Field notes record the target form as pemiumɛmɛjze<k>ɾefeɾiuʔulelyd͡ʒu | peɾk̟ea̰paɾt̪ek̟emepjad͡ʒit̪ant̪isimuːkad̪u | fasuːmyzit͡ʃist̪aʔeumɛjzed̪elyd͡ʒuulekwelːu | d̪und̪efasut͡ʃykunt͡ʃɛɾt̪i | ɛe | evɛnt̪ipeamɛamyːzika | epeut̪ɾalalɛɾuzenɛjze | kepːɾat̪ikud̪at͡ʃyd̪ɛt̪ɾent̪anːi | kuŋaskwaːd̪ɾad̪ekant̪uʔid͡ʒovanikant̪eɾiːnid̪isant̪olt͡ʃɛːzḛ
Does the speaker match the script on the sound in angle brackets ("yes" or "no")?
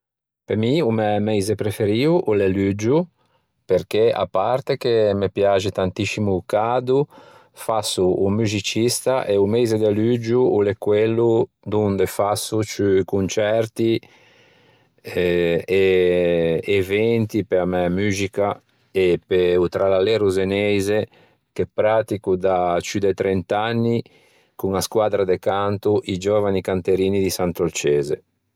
no